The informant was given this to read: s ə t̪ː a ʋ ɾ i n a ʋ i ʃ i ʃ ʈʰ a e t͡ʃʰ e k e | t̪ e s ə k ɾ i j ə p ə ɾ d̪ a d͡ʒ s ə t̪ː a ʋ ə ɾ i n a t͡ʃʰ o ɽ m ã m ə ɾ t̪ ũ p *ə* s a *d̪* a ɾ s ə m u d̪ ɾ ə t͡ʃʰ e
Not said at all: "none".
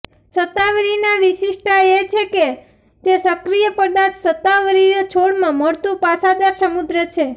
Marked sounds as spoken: a, d̪

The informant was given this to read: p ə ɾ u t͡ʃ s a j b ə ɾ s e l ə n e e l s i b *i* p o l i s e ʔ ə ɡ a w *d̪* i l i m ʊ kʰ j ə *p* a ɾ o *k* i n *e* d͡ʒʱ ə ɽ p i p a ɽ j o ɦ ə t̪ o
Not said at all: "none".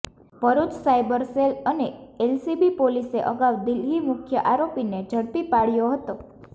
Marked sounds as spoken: i, d̪, ʔ, p, e

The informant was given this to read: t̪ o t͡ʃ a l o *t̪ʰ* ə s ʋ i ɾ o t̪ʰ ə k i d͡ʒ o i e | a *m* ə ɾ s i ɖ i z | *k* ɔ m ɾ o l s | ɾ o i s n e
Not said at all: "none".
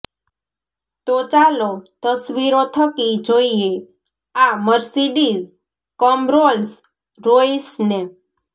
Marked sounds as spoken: t̪, m, k

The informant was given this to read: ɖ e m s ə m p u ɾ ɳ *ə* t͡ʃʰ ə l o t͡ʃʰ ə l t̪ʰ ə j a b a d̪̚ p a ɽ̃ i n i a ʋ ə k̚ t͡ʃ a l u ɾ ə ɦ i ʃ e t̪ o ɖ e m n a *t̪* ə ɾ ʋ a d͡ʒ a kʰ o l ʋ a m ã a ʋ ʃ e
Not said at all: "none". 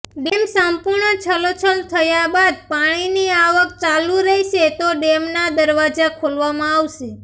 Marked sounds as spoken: ə, d̪

